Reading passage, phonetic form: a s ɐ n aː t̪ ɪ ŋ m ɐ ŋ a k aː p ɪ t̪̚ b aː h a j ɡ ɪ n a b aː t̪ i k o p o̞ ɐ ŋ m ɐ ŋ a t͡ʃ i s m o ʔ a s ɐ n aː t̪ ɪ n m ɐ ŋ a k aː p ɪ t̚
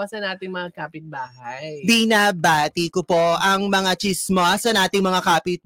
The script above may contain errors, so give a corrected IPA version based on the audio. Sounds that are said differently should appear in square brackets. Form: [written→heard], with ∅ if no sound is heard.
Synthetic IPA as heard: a s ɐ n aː t̪ ɪ ŋ m ɐ ŋ a k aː p ɪ t̪̚ b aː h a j [ɡ→b] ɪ n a b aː t̪ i k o p o̞ ɐ ŋ m ɐ ŋ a t͡ʃ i s m o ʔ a s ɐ n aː t̪ ɪ [n→ŋ] m ɐ ŋ a k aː p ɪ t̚